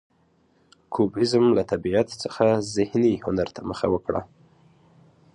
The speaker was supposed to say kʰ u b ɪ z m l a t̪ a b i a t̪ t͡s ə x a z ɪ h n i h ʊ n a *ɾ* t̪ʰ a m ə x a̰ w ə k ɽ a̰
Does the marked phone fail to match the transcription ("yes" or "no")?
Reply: no